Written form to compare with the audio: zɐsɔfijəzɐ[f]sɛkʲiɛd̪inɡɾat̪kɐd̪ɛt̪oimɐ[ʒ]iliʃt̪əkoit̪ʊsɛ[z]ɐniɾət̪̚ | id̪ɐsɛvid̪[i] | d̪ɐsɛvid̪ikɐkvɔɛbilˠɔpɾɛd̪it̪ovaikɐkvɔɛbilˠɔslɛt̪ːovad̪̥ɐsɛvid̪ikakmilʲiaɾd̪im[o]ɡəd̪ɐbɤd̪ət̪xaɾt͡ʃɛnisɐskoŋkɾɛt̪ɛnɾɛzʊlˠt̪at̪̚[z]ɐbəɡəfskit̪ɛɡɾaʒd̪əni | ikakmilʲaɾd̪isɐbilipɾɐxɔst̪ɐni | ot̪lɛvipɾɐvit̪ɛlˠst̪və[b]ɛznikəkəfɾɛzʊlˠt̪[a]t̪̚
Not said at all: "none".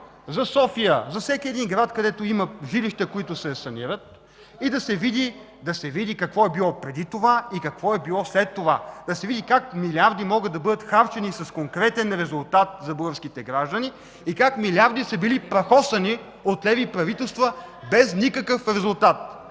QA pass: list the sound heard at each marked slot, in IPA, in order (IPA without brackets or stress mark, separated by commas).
f, ʒ, s, i, ɔ, z, b, a